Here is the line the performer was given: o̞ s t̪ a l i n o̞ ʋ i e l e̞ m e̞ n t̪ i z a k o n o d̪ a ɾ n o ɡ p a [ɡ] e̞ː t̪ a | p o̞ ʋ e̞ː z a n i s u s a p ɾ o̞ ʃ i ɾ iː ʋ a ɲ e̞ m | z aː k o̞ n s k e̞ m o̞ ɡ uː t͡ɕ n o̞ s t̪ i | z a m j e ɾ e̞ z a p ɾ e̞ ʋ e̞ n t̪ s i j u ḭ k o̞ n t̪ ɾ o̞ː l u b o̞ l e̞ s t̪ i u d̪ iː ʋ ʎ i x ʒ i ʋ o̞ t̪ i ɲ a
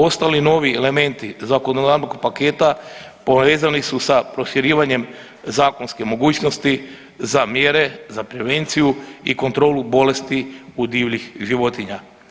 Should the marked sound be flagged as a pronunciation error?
yes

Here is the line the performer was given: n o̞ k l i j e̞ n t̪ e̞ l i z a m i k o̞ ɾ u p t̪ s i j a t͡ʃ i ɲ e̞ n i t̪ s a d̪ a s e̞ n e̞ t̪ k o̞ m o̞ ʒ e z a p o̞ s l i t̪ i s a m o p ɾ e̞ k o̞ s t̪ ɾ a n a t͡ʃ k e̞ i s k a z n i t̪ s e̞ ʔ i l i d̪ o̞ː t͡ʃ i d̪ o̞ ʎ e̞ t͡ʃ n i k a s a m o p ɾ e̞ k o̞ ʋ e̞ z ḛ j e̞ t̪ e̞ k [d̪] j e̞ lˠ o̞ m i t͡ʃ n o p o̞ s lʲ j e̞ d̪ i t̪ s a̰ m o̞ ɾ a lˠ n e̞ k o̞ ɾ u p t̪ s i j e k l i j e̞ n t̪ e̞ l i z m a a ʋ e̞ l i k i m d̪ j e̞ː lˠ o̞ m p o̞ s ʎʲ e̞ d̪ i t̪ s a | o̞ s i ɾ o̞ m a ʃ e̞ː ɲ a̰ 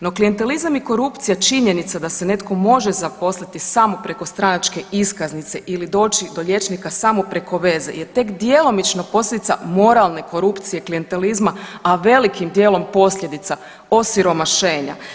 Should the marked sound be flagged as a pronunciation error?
no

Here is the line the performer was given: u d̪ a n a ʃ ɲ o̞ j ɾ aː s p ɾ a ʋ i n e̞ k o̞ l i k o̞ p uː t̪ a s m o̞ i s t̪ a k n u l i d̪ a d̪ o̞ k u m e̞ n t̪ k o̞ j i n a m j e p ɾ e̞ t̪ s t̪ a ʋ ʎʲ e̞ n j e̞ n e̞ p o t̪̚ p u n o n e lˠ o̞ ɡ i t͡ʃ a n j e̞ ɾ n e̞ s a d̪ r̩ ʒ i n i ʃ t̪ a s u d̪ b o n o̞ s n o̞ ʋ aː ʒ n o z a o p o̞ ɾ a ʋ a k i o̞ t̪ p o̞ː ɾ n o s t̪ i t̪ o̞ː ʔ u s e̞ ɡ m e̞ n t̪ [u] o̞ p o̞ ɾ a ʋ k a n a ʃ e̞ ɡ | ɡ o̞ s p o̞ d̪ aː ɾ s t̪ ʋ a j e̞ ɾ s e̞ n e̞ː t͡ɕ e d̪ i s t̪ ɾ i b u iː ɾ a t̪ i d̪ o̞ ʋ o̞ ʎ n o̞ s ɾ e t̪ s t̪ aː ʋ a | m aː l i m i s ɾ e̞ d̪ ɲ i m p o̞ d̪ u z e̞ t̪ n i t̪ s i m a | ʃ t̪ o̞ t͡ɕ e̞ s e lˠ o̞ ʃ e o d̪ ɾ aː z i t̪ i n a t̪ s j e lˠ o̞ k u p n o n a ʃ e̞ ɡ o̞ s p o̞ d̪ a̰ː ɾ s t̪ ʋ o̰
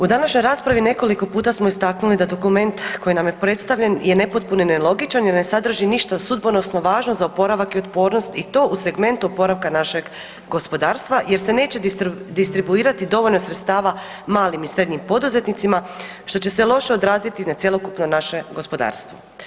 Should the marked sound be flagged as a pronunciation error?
no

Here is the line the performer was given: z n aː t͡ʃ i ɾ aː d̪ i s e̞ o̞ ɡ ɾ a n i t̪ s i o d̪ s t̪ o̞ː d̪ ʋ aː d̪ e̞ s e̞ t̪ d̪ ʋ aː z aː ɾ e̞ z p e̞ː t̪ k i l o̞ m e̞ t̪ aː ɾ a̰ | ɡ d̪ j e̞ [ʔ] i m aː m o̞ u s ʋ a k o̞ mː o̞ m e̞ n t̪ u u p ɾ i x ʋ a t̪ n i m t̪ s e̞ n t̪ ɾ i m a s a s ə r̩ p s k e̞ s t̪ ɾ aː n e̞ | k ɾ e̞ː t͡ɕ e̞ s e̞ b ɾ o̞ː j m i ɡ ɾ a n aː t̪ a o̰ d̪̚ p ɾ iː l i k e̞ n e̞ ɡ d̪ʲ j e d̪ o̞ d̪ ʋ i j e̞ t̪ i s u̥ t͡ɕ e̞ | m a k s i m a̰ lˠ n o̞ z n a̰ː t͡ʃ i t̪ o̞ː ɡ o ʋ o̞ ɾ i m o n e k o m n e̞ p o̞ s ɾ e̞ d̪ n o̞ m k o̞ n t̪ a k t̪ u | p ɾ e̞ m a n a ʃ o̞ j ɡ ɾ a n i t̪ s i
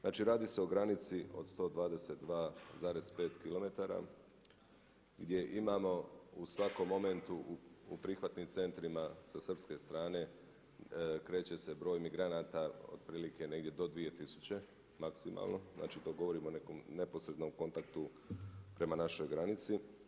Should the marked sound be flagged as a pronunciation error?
no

